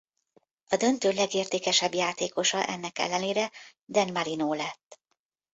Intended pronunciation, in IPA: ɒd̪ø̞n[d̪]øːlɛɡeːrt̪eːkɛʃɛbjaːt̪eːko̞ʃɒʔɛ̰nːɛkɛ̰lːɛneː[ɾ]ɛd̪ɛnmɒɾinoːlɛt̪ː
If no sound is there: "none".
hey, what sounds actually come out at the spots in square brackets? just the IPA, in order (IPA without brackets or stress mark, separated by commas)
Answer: t̪, ɾ